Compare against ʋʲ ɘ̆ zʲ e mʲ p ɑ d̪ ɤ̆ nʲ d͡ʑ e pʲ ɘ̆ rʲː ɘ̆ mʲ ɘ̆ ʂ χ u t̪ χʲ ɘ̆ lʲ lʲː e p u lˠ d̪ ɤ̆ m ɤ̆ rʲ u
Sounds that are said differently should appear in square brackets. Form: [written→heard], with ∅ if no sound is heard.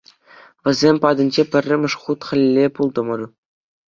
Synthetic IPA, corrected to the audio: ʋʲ ɘ̆ zʲ e mʲ p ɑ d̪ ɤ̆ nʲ d͡ʑ e pʲ ɘ̆ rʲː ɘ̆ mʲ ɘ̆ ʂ χ u t̪ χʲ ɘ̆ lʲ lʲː e p u lˠ d̪ ɤ̆ m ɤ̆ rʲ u